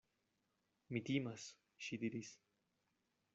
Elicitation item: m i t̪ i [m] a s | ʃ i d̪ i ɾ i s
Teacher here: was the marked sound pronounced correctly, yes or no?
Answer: yes